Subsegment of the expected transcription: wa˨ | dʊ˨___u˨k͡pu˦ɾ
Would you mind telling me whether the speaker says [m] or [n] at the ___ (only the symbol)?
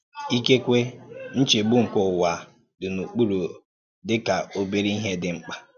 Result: n